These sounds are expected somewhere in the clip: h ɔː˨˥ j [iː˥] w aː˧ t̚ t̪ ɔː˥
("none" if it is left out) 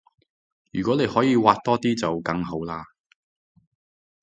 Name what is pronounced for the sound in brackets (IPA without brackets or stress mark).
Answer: iː˨˧